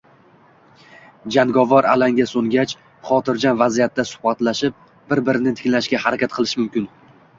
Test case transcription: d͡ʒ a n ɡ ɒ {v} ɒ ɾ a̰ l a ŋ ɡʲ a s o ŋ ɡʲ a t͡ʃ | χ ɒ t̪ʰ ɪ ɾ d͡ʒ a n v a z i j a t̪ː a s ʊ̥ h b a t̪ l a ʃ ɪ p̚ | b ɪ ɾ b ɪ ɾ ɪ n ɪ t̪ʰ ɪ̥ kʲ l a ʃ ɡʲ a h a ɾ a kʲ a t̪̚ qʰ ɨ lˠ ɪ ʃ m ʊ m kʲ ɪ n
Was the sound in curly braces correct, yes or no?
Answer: yes